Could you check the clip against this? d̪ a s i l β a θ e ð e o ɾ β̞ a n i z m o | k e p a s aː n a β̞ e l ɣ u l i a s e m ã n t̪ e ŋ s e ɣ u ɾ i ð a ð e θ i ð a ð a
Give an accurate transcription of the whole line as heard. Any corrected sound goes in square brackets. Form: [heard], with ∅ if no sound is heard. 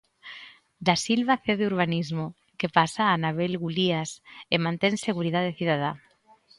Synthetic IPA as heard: d̪ a s i l β a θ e ð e [u] ɾ β̞ a n i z m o | k e p a s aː n a β̞ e l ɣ u l i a s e m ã n t̪ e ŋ s e ɣ u ɾ i ð a ð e θ i ð a ð a